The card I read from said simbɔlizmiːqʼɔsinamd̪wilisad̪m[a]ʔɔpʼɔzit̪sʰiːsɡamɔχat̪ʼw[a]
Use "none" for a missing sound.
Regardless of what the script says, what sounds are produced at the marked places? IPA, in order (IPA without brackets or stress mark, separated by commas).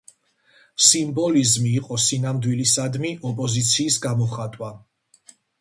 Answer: i, a